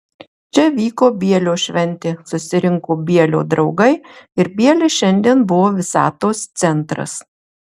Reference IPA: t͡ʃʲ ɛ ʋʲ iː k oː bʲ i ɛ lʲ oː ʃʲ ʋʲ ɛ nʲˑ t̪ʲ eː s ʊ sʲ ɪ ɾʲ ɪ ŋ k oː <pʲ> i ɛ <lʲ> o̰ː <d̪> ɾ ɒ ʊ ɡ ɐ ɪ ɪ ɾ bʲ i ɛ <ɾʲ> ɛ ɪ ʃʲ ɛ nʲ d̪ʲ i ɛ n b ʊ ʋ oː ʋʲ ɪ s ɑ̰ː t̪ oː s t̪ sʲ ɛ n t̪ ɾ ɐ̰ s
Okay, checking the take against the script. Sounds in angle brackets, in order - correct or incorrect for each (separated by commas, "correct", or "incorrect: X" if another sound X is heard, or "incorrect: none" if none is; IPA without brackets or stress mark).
incorrect: bʲ, correct, correct, incorrect: lʲ